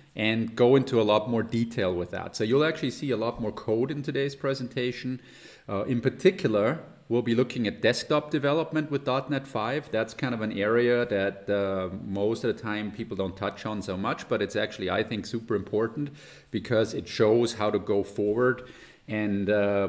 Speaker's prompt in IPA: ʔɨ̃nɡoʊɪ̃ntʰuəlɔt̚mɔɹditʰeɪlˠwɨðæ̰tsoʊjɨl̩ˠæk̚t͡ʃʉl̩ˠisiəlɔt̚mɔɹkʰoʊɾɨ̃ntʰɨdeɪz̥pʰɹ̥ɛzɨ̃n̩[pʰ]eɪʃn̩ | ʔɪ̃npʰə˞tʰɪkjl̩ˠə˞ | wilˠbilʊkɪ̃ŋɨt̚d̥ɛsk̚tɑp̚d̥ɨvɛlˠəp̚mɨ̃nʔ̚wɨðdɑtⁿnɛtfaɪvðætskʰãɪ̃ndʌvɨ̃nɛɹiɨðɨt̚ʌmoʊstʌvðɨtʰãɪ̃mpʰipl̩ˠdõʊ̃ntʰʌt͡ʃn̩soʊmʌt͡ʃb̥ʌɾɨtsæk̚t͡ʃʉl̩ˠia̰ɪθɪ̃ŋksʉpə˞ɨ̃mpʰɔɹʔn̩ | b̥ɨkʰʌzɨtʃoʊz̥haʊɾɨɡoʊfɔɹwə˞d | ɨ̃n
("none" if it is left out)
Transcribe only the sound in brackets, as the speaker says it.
tʰ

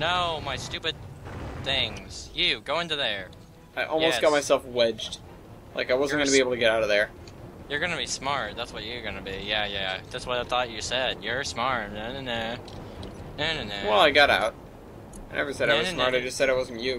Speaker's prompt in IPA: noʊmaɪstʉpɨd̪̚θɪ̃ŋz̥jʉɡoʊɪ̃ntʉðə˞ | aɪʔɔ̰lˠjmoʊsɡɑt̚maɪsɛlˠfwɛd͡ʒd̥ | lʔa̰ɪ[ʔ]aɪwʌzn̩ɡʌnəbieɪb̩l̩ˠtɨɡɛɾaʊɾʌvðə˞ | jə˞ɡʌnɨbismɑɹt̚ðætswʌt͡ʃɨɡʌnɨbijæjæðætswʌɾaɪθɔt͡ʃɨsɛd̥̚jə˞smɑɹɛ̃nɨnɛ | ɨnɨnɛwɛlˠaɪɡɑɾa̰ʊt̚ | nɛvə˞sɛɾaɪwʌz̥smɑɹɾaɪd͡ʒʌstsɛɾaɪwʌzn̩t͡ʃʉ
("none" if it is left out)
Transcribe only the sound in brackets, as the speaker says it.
k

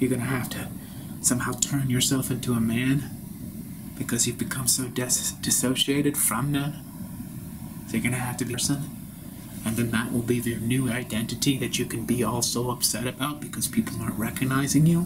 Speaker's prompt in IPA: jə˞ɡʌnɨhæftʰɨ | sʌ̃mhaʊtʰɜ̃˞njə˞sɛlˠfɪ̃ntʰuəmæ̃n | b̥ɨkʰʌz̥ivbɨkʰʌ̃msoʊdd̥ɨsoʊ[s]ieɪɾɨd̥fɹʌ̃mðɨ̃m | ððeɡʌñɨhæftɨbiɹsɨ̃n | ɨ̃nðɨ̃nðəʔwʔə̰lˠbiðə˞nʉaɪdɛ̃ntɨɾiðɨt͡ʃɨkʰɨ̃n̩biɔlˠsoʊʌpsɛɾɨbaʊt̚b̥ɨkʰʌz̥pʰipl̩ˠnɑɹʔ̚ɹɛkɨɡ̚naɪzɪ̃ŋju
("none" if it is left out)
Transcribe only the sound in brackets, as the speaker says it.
ʃ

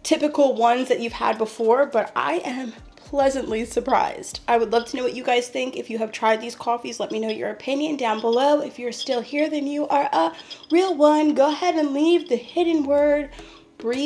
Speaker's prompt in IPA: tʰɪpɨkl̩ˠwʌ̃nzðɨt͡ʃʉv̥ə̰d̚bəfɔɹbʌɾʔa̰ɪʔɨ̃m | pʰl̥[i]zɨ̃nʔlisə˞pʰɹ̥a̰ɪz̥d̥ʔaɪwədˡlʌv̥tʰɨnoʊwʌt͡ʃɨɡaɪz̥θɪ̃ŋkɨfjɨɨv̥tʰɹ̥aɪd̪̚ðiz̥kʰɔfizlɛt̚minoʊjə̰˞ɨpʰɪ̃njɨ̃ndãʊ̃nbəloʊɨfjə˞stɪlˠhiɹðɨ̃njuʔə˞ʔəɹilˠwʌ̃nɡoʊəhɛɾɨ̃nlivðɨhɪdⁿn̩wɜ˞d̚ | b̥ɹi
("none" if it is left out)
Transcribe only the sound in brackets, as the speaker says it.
ɛ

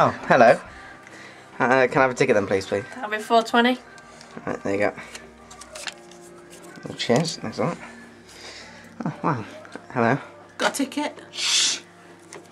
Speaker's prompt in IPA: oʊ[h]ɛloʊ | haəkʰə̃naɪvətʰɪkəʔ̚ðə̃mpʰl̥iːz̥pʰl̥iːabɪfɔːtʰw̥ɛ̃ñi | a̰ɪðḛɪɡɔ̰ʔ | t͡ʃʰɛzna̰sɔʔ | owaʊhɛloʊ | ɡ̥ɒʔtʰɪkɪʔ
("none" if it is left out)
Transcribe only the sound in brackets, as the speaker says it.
h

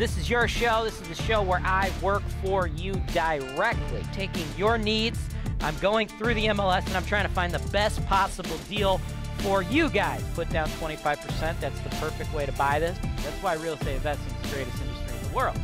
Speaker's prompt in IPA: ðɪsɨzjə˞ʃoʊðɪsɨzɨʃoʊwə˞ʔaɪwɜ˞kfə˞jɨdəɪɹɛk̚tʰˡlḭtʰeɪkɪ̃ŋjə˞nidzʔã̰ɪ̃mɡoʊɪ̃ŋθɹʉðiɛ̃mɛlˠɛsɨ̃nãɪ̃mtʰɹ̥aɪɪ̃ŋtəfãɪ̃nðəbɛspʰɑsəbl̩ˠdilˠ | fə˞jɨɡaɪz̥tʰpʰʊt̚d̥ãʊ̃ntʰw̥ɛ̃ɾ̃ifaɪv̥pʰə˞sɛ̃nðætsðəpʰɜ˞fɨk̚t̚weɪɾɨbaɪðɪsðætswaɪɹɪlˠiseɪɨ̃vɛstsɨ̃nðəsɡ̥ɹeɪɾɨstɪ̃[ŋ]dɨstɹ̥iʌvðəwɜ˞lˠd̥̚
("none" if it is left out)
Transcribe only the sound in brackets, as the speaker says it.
n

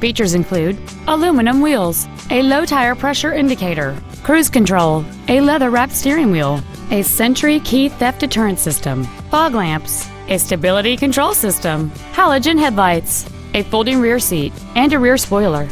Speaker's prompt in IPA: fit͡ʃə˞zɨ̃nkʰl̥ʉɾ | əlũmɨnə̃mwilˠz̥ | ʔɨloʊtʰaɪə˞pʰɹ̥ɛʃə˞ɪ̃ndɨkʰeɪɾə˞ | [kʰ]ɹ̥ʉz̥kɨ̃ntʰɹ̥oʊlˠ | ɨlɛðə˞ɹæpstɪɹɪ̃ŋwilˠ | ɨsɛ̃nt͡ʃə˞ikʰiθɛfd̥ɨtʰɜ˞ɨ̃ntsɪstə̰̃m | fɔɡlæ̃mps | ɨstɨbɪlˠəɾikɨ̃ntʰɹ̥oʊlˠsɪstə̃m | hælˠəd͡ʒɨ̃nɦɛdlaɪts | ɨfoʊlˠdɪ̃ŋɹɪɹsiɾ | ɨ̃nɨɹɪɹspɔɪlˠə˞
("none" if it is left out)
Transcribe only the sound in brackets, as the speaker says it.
kʰ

